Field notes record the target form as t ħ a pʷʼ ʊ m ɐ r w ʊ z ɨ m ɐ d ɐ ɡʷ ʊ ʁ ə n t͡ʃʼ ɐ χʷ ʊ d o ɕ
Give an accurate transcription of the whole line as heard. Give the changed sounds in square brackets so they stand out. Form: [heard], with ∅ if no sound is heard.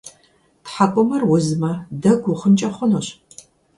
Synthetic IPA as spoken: t ħ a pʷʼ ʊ m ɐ r w ʊ z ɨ m ɐ d ɐ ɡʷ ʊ [χ] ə n t͡ʃʼ ɐ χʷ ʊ [n] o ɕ